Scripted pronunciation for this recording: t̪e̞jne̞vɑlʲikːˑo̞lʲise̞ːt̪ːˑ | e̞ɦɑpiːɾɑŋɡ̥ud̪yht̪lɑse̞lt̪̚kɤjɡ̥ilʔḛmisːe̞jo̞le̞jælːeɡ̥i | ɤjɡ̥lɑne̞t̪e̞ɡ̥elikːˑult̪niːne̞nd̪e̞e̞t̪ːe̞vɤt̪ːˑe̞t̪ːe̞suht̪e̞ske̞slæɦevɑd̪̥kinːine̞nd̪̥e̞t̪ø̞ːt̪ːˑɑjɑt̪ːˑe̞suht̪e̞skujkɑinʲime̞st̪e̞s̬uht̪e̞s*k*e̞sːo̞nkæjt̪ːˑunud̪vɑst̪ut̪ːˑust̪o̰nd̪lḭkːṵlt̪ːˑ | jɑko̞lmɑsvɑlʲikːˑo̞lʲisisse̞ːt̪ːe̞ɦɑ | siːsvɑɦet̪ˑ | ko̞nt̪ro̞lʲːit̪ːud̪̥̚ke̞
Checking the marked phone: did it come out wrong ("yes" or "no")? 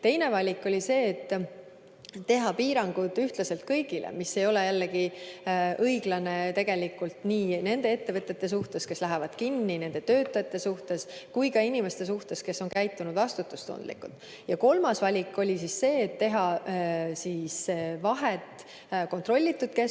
no